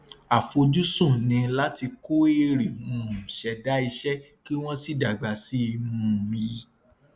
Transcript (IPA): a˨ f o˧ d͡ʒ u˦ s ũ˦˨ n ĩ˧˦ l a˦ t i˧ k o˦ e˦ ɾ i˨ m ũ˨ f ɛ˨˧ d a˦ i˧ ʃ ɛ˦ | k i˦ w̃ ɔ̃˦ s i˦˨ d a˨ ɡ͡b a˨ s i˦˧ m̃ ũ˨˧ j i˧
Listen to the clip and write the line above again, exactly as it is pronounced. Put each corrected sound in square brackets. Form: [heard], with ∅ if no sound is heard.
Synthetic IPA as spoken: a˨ f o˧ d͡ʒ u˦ s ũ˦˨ n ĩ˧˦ l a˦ t i˧ k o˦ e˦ ɾ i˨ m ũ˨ [ʃ] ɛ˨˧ d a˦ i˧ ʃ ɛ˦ | k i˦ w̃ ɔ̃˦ s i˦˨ d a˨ ɡ͡b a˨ s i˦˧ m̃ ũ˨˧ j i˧

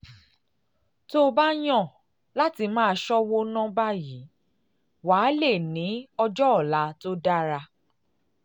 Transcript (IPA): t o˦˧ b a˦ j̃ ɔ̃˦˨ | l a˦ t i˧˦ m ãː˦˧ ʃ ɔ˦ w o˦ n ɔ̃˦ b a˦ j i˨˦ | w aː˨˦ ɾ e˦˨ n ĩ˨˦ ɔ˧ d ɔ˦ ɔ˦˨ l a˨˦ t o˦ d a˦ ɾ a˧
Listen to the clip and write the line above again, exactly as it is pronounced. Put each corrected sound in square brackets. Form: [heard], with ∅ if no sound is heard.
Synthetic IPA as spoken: t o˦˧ b a˦ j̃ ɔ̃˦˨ | l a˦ t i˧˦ m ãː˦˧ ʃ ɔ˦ w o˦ n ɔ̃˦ b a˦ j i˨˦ | w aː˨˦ [l] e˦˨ n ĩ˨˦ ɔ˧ [d͡ʒ] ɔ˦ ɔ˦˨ l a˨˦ t o˦ d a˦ ɾ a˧

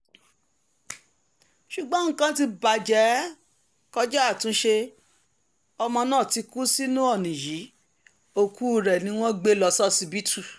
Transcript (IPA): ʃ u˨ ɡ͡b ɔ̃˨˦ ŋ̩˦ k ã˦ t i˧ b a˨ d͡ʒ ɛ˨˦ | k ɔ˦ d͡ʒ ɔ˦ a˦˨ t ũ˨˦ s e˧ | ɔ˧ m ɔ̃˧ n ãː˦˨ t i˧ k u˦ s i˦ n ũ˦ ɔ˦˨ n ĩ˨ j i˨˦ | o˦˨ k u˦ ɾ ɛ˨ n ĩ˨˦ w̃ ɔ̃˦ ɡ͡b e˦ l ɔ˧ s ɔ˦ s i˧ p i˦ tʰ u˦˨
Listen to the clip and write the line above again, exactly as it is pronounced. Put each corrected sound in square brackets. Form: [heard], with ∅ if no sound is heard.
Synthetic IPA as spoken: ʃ u˨ ɡ͡b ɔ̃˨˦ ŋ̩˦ k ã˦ t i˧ b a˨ d͡ʒ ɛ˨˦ | k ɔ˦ d͡ʒ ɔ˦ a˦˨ t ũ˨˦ [ʃ] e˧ | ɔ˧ m ɔ̃˧ n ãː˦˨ t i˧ k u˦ s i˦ n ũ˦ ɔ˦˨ n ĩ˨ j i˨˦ | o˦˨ k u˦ ɾ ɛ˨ n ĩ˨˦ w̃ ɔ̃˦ ɡ͡b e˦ l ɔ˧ s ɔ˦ s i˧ [b] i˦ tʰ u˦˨

